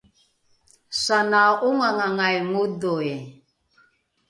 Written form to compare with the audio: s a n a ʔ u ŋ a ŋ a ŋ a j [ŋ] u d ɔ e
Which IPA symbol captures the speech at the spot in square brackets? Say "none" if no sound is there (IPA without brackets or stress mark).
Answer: ŋ